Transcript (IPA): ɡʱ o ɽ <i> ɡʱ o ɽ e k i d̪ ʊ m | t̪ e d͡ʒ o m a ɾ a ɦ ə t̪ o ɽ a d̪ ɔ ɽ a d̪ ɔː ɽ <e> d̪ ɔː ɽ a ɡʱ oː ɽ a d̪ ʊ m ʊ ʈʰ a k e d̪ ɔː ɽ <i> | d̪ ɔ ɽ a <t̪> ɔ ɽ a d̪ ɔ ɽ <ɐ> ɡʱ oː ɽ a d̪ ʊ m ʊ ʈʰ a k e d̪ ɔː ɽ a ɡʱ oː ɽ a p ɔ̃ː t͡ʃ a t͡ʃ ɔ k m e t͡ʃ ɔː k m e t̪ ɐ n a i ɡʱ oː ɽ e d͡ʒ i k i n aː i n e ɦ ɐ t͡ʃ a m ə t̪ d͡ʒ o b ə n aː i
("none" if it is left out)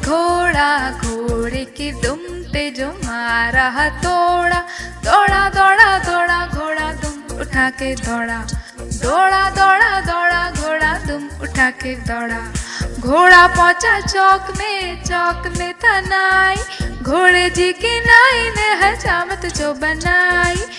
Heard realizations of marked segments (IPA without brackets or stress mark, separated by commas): a, a, a, d̪, a